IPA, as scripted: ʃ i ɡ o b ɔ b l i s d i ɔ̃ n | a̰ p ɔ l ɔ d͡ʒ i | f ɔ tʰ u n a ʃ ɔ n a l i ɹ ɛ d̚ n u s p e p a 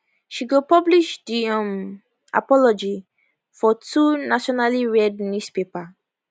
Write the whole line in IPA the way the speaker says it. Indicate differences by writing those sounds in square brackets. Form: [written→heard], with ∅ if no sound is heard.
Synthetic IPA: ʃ i ɡ o [b→p] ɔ b l i [s→ʃ] d i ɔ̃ [n→m] | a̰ p ɔ l ɔ d͡ʒ i | f ɔ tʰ u n a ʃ ɔ n a l i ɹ ɛ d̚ n u s p e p a